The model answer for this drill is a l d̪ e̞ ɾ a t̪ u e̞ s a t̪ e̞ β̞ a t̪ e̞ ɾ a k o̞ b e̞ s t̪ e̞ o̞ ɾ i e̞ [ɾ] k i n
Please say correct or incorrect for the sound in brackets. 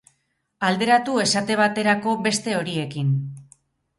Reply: incorrect